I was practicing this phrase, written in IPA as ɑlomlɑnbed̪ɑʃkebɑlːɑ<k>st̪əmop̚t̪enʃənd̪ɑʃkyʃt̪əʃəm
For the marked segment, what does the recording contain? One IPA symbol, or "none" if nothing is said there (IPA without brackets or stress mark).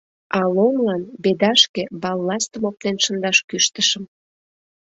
none